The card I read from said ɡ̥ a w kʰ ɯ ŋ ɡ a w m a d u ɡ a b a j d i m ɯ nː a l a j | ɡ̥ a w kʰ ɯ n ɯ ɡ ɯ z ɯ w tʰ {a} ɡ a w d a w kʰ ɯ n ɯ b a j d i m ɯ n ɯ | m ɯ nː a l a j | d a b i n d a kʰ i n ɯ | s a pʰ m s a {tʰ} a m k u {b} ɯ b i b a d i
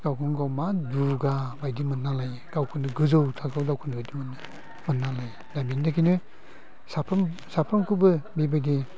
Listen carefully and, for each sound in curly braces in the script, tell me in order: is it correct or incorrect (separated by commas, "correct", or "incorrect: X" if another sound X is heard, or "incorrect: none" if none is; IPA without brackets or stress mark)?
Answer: correct, incorrect: pʰ, correct